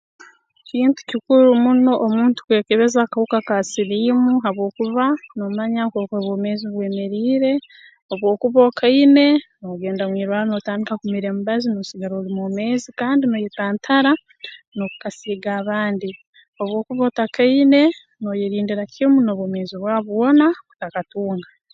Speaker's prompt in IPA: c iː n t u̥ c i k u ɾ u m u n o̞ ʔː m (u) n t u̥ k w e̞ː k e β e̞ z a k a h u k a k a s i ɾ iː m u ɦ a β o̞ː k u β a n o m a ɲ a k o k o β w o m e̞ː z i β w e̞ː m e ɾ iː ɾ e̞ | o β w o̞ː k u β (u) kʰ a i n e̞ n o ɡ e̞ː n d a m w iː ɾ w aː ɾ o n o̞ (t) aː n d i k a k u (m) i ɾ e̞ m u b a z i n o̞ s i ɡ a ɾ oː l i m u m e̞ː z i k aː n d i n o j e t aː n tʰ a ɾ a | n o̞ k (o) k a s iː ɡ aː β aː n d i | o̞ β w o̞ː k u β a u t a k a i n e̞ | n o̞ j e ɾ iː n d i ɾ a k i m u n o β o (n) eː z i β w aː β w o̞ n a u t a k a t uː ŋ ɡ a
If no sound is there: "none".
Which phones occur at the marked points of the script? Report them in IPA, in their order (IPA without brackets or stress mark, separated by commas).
uː, o, t, m, u, m